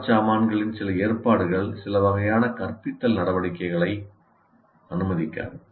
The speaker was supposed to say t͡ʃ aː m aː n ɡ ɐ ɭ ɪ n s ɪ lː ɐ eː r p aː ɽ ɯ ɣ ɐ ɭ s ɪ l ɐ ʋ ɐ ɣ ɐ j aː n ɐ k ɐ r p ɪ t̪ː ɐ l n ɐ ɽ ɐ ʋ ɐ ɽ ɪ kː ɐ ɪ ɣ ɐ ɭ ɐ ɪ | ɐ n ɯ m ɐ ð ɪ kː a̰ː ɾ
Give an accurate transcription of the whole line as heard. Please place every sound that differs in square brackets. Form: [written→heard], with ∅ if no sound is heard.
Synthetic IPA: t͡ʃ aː m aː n ɡ ɐ ɭ ɪ n s ɪ [lː→l] ɐ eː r p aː ɽ ɯ ɣ ɐ ɭ s ɪ l ɐ ʋ ɐ ɣ ɐ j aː n ɐ k ɐ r p ɪ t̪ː ɐ l n ɐ ɽ ɐ ʋ ɐ ɽ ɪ kː ɐ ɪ ɣ ɐ ɭ ɐ ɪ | ɐ n ɯ m ɐ ð ɪ kː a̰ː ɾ